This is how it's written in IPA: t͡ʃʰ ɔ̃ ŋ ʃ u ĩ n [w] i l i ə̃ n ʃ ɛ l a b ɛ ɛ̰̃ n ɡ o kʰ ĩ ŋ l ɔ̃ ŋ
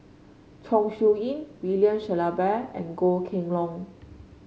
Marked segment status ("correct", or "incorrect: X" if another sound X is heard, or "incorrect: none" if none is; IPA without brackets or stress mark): correct